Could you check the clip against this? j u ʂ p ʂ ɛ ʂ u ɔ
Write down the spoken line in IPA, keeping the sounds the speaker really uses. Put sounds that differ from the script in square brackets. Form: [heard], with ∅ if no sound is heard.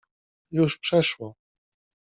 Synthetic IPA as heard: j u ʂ p ʂ ɛ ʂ [w] ɔ